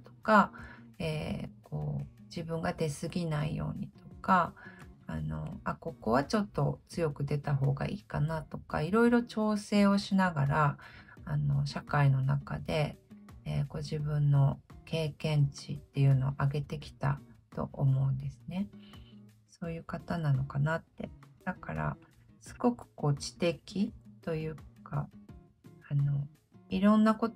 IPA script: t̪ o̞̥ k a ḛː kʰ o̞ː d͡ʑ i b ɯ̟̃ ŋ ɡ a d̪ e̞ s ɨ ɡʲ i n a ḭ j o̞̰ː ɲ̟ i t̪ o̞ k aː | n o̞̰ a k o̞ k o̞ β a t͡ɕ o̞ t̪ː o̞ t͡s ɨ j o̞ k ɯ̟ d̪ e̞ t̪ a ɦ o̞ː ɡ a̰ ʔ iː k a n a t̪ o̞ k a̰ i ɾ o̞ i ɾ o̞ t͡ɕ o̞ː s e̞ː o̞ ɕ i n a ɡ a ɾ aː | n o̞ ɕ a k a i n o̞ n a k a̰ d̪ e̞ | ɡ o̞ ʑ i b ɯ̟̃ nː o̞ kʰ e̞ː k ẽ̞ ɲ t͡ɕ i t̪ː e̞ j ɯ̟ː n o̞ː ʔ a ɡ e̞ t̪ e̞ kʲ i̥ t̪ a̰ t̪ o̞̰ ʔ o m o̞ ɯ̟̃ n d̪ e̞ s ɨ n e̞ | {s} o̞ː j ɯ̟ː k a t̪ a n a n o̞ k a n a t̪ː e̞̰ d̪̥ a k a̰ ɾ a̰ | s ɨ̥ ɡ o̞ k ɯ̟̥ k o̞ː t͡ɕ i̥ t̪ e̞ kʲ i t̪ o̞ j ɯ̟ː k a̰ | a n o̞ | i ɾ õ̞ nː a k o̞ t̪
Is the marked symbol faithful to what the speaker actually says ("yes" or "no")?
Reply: yes